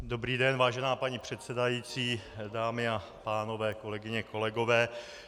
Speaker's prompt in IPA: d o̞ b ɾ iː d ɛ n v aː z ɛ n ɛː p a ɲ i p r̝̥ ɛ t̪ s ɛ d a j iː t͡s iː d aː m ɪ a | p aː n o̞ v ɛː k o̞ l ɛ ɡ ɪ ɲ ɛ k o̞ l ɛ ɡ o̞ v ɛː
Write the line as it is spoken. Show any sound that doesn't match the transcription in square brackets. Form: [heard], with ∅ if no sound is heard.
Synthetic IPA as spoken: d o̞ b ɾ iː d ɛ n v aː [ʒ] ɛ n [aː] p a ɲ i p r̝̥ ɛ t̪ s ɛ d a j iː t͡s iː d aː m ɪ a | p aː n o̞ v ɛː k o̞ l ɛ ɡ ɪ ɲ ɛ k o̞ l ɛ ɡ o̞ v ɛː

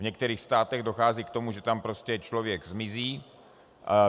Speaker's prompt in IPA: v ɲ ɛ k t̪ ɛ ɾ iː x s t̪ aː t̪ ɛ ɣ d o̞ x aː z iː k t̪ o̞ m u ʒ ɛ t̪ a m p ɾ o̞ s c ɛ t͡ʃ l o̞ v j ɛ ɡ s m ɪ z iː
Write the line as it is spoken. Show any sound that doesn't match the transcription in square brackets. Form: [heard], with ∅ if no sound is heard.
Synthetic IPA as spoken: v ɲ ɛ k t̪ ɛ ɾ iː x s t̪ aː t̪ ɛ ɣ d o̞ x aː z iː k t̪ o̞ m u ʒ ɛ t̪ a m p ɾ o̞ s c ɛ t͡ʃ l o̞ v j ɛ ɡ [z] m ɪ z iː

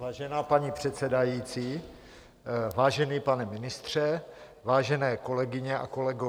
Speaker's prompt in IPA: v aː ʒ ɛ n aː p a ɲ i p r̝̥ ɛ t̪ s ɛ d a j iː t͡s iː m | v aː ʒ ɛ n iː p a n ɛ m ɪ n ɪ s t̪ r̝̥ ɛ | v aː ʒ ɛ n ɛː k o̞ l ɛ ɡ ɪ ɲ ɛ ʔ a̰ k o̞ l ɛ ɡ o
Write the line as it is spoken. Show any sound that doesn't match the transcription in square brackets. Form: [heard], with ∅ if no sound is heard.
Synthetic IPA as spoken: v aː ʒ ɛ n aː p a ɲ i p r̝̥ ɛ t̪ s ɛ d a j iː t͡s iː [∅] | v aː ʒ ɛ n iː p a n ɛ m ɪ n ɪ s t̪ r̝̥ ɛ | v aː ʒ ɛ n ɛː k o̞ l ɛ ɡ ɪ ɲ ɛ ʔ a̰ k o̞ l ɛ ɡ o

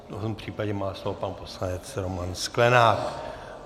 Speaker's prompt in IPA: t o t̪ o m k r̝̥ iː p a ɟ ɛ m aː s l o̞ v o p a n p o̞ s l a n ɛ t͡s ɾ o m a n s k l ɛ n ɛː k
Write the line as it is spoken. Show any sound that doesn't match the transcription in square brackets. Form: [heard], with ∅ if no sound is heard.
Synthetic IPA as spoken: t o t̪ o m [p] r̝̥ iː p a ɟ ɛ m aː s l o̞ v o p a n p o̞ s l a n ɛ t͡s ɾ o m a n s k l ɛ n [aː] k

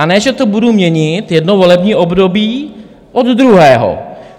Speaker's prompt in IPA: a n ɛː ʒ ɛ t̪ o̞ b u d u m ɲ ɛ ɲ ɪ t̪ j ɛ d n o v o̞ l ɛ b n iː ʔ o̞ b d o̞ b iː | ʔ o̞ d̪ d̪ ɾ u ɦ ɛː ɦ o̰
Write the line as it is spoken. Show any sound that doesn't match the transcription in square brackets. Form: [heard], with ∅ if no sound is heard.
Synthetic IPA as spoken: a n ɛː ʒ ɛ t̪ o̞ b u d u m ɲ ɛ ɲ ɪ t̪ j ɛ d n o v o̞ l ɛ b [ɲ] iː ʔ o̞ b d o̞ b iː | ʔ o̞ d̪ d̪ ɾ u ɦ ɛː ɦ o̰

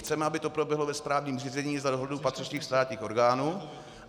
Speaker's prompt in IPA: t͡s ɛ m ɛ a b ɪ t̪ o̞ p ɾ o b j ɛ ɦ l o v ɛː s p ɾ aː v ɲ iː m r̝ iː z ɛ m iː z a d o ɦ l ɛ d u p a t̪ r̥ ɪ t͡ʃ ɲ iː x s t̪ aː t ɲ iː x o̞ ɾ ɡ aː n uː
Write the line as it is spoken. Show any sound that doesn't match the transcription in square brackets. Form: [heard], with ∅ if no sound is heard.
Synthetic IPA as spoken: t͡s ɛ m ɛ a b ɪ t̪ o̞ p ɾ o b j ɛ ɦ l o v [ɛ] s p ɾ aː v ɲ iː m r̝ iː z ɛ [ɲ] iː z a d o ɦ l ɛ d u p a t̪ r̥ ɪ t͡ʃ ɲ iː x s t̪ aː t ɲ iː x o̞ ɾ ɡ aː n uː

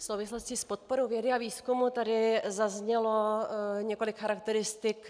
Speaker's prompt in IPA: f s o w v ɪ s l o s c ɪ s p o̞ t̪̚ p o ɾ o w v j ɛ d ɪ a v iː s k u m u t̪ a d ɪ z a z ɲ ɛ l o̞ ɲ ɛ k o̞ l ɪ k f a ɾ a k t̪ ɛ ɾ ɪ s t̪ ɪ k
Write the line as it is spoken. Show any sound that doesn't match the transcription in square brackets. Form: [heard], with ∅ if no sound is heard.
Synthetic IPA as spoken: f s o w v ɪ s l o s c ɪ s p o̞ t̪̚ p o ɾ o w v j ɛ d ɪ a v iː s k u m u t̪ a d ɪ z a z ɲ ɛ l o̞ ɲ ɛ k o̞ l ɪ k [x] a ɾ a k t̪ ɛ ɾ ɪ s t̪ ɪ k

